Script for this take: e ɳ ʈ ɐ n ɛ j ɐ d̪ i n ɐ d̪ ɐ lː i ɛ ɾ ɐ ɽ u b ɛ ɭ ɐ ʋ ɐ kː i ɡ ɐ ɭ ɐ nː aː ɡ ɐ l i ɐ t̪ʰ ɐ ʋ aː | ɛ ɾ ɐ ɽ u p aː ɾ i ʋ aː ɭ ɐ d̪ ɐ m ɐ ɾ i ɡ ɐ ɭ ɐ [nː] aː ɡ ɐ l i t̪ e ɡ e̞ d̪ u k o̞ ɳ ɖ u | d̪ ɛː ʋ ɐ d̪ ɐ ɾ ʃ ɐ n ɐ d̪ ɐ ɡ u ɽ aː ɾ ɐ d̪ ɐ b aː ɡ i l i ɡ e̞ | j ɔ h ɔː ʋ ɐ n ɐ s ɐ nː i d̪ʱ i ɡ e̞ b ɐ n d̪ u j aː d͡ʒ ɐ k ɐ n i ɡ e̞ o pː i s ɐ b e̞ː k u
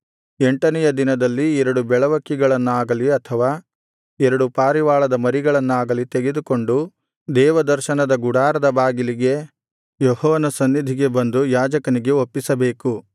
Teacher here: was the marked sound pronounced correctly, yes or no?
yes